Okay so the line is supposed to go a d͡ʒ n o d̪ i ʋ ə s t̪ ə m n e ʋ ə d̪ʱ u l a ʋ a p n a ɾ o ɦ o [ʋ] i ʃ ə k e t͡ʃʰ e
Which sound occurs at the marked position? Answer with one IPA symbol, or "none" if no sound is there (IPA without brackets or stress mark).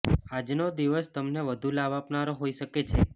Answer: none